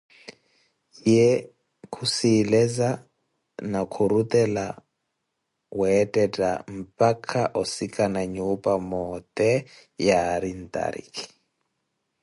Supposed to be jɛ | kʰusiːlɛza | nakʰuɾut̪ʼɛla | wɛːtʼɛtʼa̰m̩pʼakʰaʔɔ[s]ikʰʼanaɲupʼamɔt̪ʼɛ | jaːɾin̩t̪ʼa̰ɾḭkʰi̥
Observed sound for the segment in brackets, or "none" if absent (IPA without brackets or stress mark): s